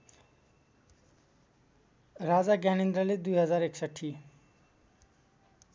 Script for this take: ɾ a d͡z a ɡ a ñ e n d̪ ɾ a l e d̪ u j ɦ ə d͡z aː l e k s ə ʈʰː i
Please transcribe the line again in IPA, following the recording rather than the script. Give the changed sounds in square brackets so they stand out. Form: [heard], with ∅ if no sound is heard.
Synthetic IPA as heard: ɾ a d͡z a ɡ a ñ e n d̪ ɾ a l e d̪ u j ɦ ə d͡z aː [ɾ] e k s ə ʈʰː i